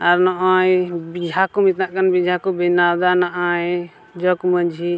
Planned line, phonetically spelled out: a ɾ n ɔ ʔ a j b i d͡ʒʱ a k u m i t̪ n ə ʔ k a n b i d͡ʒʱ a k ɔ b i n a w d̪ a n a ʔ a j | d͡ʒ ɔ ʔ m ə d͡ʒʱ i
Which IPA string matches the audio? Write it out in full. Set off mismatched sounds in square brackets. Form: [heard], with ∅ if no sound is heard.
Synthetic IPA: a ɾ n ɔ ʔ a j b i d͡ʒʱ a k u m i t̪ n [a] ʔ k a n b i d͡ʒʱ a k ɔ b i n a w d̪ a n a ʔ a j | d͡ʒ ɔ [k] m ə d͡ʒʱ i